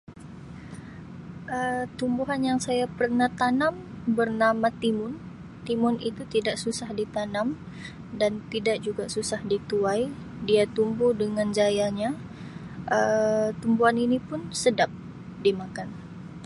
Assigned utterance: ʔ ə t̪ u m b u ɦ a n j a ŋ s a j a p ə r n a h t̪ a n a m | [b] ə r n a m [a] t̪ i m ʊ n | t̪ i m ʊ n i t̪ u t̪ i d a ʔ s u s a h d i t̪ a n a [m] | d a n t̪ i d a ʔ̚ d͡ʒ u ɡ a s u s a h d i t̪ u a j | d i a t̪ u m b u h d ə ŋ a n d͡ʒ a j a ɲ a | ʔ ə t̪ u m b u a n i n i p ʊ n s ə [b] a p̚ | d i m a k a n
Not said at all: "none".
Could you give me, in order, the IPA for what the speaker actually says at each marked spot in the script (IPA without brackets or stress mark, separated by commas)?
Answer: b, a, m, d